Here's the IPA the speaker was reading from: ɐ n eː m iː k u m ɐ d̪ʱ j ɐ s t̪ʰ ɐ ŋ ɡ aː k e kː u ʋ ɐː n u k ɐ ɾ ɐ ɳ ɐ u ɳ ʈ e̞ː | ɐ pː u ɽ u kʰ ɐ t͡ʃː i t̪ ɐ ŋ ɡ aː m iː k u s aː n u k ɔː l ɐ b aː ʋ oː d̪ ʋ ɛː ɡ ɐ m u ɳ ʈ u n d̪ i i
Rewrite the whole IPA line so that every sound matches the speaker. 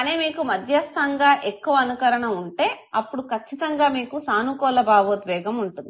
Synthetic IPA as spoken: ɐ n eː m iː k u m ɐ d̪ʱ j ɐ s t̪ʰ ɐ ŋ ɡ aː ʔ e kː u ʋ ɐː n u k ɐ ɾ ɐ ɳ ɐ u ɳ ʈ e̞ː | ɐ pː u ɽ u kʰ ɐ t͡ʃː i t̪ ɐ ŋ ɡ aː m iː k u s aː n u k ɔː l ɐ b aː ʋ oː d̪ ʋ ɛː ɡ ɐ m u ɳ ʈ u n d̪ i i